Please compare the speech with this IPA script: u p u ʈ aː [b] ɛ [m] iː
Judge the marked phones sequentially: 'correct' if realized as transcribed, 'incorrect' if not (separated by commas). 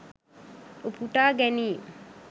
incorrect, incorrect